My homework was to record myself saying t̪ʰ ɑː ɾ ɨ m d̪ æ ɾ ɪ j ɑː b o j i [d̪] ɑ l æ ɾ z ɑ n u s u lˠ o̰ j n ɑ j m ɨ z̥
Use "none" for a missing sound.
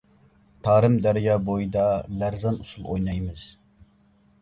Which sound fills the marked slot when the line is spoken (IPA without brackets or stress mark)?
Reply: d̪